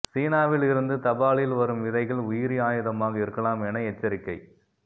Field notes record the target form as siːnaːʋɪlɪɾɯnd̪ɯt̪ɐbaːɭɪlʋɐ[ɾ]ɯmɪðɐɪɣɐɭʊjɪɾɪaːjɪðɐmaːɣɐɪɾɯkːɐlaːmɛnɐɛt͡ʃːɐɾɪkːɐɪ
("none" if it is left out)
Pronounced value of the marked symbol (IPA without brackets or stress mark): ɾ